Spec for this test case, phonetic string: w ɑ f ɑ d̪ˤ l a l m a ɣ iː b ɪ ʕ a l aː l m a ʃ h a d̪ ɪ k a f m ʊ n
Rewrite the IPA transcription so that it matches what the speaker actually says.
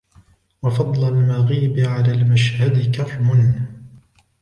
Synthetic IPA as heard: w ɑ f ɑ d̪ˤ l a l m a ɣ iː b ɪ ʕ a l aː l m a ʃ h a d̪ ɪ k a f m ʊ n